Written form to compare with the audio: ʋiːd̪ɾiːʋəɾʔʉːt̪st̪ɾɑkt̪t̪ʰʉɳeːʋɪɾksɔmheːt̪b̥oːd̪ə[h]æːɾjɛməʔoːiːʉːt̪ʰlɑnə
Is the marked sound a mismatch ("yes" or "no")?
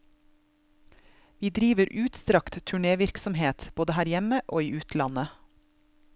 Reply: no